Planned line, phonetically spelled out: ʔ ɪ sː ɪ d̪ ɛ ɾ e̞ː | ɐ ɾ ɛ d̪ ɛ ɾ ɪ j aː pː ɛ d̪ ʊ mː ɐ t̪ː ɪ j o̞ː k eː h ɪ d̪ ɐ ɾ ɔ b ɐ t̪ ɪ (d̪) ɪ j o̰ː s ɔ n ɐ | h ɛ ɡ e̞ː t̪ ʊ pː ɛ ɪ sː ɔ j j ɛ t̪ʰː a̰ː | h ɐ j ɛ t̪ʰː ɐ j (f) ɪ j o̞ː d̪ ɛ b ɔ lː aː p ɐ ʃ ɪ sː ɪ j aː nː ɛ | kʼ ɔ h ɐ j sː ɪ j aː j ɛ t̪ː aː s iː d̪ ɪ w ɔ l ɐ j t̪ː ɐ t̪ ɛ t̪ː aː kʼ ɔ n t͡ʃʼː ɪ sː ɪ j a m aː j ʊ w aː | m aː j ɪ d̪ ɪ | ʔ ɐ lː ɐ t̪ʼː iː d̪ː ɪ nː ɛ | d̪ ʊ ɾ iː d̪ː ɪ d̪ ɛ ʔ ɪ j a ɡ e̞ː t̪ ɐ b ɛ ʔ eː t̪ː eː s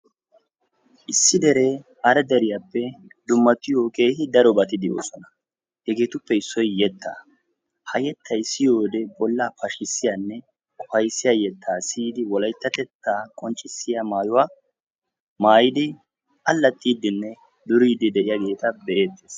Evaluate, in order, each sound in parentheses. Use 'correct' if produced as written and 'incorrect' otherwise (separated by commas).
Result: correct, incorrect